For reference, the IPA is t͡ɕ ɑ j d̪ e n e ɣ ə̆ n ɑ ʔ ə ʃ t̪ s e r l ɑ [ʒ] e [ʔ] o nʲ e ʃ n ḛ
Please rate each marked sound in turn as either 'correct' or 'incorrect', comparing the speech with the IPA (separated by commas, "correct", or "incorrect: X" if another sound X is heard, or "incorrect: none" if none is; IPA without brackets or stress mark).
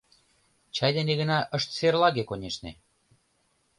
incorrect: ɣ, incorrect: k